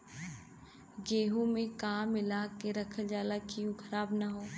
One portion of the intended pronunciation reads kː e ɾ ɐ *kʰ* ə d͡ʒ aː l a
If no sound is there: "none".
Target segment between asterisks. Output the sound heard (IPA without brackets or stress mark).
kʰ